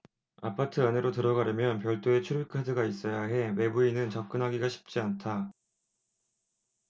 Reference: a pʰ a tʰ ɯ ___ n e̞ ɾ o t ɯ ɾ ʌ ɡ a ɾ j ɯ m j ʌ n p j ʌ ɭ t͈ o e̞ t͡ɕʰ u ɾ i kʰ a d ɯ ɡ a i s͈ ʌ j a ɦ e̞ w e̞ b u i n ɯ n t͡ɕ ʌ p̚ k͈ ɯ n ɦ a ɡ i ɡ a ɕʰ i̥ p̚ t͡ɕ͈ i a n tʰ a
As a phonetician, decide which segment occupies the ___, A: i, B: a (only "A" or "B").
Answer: B